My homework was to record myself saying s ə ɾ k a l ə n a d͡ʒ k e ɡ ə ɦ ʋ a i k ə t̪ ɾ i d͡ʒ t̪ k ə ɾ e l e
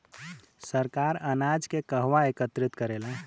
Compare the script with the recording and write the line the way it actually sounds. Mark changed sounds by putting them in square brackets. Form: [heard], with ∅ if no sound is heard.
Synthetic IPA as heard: s ə ɾ k a [ɾ] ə n a d͡ʒ k e [k] ə ɦ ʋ a [e] k ə t̪ ɾ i [∅] t̪ k ə ɾ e l [a]